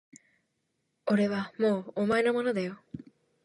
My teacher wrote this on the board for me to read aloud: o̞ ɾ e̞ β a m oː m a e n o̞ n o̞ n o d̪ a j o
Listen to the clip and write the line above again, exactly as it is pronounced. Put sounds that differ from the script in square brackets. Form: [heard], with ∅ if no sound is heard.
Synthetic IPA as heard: o̞ ɾ e̞ β a m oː m a e n o̞ [m] o̞ n o d̪ a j o

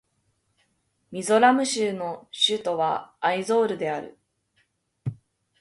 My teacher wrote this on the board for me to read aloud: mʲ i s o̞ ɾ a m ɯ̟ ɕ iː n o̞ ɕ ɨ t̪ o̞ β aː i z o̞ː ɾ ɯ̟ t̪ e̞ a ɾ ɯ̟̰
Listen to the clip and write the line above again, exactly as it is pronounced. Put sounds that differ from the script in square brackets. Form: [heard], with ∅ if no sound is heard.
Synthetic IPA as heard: mʲ i [z] o̞ ɾ a m ɯ̟ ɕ [ɨː] n o̞ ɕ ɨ t̪ o̞ β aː i z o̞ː ɾ ɯ̟ [d̪] e̞ a ɾ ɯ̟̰

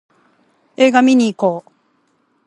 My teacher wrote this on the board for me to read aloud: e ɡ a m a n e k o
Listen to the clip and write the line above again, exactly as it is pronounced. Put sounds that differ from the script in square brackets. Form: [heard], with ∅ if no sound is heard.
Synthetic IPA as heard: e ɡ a m [i] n [i] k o

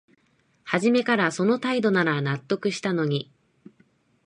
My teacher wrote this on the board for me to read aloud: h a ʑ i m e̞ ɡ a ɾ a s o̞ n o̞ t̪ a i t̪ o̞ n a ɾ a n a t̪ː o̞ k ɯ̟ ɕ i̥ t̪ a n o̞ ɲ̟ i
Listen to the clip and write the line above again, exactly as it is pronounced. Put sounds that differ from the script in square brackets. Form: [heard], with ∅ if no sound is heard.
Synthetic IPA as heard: h a ʑ i m e̞ [k] a ɾ a s o̞ n o̞ t̪ a i [d̪] o̞ n a ɾ a n a t̪ː o̞ k ɯ̟ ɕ i̥ t̪ a n o̞ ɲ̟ i

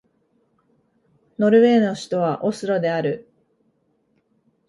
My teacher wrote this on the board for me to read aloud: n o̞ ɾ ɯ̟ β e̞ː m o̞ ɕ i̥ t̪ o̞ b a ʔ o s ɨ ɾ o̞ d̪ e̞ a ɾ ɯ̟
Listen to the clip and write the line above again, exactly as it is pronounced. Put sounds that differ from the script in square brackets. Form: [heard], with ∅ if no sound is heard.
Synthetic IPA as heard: n o̞ ɾ ɯ̟ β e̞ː [n] o̞ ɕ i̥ t̪ o̞ [β] a ʔ o s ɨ ɾ o̞ d̪ e̞ a ɾ ɯ̟

